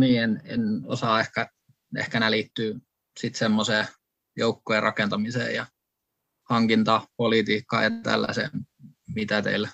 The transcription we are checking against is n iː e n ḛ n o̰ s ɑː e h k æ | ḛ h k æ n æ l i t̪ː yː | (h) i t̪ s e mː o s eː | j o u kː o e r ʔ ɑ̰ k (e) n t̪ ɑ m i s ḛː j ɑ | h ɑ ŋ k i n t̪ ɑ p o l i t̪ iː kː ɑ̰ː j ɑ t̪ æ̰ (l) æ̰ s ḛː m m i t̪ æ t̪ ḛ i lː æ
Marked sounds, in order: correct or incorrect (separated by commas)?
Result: incorrect, correct, incorrect